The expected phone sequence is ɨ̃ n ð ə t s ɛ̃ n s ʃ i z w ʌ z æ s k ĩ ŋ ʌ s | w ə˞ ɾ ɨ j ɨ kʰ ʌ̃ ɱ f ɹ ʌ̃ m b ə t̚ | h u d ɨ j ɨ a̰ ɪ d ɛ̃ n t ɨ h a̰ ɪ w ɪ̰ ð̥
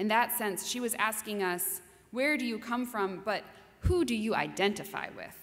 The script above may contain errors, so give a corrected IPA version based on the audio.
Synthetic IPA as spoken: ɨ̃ n ð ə t s ɛ̃ n s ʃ i w ʌ z æ s k ɪ̃ ŋ ʌ s | w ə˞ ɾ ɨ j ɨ kʰ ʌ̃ ɱ f ɹ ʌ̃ m b ʌ t̚ | h u d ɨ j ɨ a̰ ɪ d ɛ̃ n t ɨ f a̰ ɪ w ɪ̰ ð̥